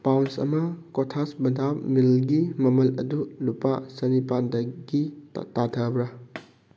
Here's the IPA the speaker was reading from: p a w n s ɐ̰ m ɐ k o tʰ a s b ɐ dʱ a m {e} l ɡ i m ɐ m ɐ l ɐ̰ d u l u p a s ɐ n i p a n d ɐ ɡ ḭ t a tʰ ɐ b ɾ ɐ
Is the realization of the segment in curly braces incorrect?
yes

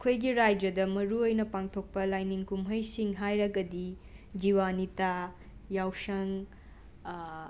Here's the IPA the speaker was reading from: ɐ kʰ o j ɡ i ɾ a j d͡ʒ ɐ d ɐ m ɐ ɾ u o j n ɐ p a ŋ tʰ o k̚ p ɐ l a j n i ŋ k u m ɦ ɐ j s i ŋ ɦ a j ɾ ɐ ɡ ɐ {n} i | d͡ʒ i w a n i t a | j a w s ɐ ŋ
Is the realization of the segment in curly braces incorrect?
yes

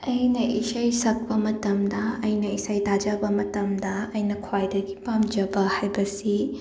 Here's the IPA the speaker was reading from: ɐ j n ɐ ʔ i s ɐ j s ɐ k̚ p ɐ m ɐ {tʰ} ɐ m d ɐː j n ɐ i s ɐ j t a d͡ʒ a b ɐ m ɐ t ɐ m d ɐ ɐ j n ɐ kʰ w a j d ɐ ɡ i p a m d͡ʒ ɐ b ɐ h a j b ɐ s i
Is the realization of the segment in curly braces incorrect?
yes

